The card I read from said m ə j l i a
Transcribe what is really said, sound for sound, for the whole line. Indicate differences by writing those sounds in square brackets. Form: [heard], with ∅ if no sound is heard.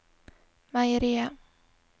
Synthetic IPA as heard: m [a] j [ɾ] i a

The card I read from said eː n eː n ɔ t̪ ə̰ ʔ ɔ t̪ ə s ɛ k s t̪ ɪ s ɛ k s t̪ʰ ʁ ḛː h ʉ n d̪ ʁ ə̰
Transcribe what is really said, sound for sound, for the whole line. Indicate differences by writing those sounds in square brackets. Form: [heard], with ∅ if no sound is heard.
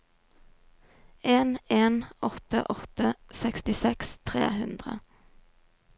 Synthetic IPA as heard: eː n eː n ɔ t̪ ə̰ ʔ ɔ t̪ ə s ɛ k s t̪ ɪ s ɛ k s t̪ʰ ʁ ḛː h ʉ n d̪ ʁ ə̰

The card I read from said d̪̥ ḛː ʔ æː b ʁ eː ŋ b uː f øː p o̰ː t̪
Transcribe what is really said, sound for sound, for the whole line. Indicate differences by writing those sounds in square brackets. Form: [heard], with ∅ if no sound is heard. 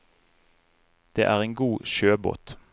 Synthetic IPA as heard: d̪̥ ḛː ʔ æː [∅] ʁ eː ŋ [ɡ] uː [ʃ] øː [b] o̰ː t̪

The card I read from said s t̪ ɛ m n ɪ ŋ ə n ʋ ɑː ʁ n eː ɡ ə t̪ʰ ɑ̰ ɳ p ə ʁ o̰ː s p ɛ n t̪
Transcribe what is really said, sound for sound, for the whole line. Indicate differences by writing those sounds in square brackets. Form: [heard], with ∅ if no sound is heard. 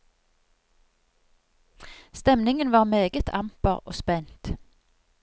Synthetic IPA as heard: s t̪ ɛ m n ɪ ŋ ə n ʋ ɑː ʁ [m] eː ɡ ə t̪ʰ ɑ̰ [m] p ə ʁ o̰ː s p ɛ n t̪

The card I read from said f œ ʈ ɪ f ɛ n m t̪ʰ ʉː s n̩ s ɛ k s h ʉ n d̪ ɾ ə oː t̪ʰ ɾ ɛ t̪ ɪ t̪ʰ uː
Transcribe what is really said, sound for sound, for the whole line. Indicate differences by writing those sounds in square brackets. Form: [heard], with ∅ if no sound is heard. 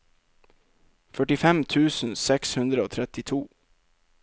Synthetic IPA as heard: f œ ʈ ɪ f ɛ [∅] m t̪ʰ ʉː s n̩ s ɛ k s h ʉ n d̪ ɾ ə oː t̪ʰ ɾ ɛ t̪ ɪ t̪ʰ uː

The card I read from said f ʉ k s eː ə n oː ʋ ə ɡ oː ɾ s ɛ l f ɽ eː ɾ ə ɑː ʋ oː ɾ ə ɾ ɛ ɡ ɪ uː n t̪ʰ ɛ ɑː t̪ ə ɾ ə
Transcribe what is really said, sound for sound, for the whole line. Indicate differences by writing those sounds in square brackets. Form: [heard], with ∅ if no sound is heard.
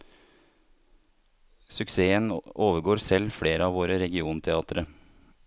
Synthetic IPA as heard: [s] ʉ k s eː ə n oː ʋ ə ɡ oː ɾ s ɛ l f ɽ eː ɾ ə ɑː ʋ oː ɾ ə ɾ ɛ ɡ ɪ uː n t̪ʰ ɛ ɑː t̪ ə ɾ ə

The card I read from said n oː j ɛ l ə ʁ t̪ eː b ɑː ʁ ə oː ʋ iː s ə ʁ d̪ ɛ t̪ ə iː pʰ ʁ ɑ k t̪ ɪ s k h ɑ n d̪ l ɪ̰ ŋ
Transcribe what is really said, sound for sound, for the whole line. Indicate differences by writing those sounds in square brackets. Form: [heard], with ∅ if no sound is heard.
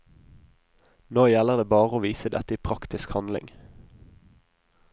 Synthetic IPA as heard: n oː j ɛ l ə ʁ [d̪] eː b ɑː ʁ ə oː ʋ iː s ə [∅] d̪ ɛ t̪ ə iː pʰ ʁ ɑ k t̪ ɪ s k h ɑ n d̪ l ɪ̰ ŋ

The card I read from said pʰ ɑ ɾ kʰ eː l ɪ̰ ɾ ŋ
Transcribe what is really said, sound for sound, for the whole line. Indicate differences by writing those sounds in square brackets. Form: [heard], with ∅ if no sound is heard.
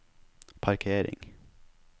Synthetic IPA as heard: pʰ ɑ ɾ kʰ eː [ɾ] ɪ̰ [∅] ŋ

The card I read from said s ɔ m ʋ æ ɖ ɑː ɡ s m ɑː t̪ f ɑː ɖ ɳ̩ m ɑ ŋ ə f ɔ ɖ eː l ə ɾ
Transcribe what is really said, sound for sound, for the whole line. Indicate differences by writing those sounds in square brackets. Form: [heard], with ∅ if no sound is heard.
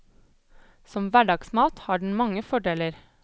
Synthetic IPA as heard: s ɔ m ʋ æ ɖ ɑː ɡ s m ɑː t̪ [h] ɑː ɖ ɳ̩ m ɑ ŋ ə f ɔ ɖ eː l ə ɾ

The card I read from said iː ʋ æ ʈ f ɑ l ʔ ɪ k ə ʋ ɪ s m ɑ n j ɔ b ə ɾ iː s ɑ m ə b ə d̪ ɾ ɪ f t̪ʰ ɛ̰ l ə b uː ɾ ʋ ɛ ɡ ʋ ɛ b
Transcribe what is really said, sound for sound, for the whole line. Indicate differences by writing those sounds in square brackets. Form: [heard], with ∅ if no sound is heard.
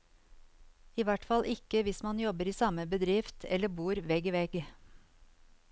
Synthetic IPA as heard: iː ʋ æ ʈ f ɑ l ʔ ɪ k ə ʋ ɪ s m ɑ n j ɔ b ə ɾ iː s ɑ m ə b ə d̪ ɾ ɪ f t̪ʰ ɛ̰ l ə b uː ɾ ʋ ɛ ɡ ʋ ɛ [ɡ]

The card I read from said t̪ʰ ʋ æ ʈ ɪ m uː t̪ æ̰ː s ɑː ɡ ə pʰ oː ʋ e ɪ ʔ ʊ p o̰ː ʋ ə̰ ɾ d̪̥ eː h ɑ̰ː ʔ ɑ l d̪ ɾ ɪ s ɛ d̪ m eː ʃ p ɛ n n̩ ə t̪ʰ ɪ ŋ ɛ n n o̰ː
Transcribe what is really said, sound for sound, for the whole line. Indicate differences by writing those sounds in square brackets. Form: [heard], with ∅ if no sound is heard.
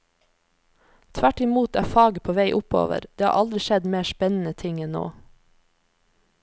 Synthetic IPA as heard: t̪ʰ ʋ æ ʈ ɪ m uː t̪ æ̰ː [f] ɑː ɡ ə pʰ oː ʋ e ɪ ʔ ʊ p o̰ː ʋ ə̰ ɾ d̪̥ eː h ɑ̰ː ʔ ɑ l d̪ ɾ ɪ [ʃ] ɛ d̪ m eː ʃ p ɛ n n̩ ə t̪ʰ ɪ ŋ ɛ n n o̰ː

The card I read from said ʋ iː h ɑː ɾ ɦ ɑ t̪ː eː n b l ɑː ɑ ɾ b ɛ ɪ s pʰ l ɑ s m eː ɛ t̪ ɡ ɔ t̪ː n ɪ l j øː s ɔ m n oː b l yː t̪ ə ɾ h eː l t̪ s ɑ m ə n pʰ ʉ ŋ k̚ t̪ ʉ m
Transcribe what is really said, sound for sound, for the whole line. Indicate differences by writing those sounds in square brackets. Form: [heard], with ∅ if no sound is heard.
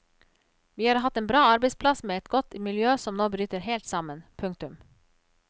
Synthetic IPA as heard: ʋ iː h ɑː ɾ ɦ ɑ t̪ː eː n b [ɾ] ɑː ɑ ɾ b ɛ ɪ s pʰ l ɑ s m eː ɛ t̪ ɡ ɔ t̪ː [m] ɪ l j øː s ɔ m n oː b [ɾ] yː t̪ ə ɾ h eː l t̪ s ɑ m ə n pʰ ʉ ŋ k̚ t̪ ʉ m

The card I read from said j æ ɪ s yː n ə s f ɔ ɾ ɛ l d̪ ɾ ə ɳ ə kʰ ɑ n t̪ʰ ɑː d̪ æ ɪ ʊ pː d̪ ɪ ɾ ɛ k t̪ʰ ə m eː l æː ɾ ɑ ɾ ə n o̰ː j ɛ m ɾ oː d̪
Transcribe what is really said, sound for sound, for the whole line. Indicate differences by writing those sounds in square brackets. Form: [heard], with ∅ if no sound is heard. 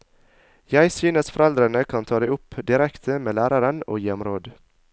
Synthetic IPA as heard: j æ ɪ s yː n ə s f ɔ ɾ ɛ l d̪ ɾ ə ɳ ə kʰ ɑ n t̪ʰ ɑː d̪ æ ɪ ʊ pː d̪ ɪ ɾ ɛ k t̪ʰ ə m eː l æː ɾ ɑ ɾ ə n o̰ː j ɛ m ɾ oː d̪

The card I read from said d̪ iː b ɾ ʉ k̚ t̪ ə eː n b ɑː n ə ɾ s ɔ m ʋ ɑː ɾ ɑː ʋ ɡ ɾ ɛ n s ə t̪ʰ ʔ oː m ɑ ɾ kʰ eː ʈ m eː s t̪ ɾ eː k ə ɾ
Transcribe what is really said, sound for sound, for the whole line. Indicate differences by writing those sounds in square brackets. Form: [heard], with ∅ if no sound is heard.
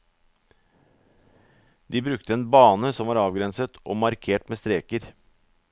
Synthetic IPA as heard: d̪ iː b ɾ ʉ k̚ t̪ ə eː n b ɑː n ə [∅] s ɔ m ʋ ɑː ɾ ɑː ʋ ɡ ɾ ɛ n s ə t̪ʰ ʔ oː m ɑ ɾ kʰ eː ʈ m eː s t̪ ɾ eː k ə ɾ

